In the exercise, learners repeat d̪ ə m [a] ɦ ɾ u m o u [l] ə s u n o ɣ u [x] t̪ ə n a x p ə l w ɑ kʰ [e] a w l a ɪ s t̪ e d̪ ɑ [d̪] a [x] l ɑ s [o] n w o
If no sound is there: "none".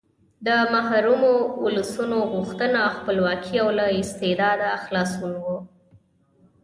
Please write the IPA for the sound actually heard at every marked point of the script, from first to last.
a, l, x, i, d̪, x, u

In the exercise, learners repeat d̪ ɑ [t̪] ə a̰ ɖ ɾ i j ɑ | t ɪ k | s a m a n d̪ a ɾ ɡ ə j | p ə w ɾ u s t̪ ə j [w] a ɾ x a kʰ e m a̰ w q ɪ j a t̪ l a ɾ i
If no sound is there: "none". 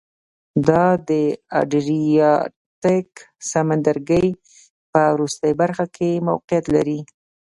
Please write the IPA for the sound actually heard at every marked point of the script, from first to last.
d̪, b

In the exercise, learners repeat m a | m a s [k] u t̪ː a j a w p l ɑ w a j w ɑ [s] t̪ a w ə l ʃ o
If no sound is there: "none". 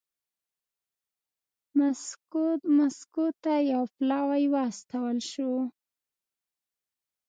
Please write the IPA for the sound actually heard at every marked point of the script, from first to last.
k, s

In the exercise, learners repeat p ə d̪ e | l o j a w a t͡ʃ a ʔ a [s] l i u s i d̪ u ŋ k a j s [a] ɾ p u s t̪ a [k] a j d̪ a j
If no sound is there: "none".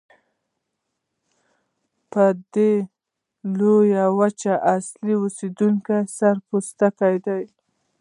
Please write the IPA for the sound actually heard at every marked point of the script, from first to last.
s, a, k

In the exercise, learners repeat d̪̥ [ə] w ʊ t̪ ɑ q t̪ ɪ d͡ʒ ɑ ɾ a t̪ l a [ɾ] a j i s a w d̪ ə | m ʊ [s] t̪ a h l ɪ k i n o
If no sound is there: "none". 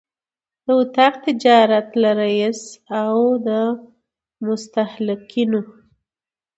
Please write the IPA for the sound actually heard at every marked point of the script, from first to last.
ə, ɾ, s

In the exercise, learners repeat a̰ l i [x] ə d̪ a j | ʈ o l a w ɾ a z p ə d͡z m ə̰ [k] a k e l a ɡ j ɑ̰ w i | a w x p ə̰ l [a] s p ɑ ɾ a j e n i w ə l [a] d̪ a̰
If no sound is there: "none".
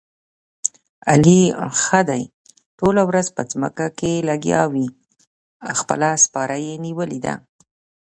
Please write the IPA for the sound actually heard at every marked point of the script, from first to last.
x, k, a, i

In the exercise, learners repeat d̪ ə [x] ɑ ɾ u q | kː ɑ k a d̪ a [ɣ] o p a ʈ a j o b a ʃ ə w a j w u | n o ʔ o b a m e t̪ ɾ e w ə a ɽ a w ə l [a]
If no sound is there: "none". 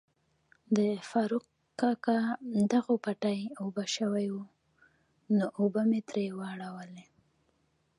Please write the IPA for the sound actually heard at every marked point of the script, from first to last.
f, ɣ, e

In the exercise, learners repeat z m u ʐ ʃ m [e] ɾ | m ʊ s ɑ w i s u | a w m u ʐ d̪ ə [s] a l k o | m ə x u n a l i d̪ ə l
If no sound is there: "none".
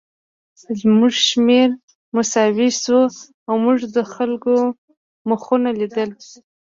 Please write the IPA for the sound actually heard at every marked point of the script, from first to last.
e, x

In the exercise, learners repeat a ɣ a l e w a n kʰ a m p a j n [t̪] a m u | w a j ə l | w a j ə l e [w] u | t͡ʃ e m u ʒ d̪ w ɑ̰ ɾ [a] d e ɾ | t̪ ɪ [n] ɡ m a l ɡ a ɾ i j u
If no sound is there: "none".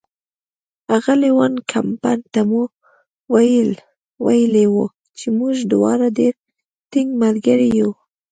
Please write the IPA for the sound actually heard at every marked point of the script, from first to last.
t̪, w, a, ŋ

